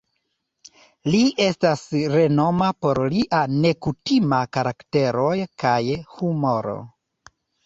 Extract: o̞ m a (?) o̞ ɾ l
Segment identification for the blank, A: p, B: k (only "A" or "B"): A